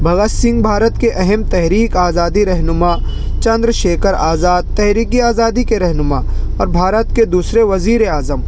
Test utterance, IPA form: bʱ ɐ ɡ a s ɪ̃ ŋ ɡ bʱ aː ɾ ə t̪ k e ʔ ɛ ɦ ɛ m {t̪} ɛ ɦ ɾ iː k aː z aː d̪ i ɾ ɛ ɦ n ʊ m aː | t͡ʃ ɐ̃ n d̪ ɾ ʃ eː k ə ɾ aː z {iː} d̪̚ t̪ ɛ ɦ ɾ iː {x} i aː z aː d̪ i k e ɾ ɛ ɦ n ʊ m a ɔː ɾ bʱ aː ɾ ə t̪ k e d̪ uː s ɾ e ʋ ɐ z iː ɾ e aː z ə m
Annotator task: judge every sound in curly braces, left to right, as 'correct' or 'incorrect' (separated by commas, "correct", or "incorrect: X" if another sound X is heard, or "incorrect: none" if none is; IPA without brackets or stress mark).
correct, incorrect: aː, incorrect: k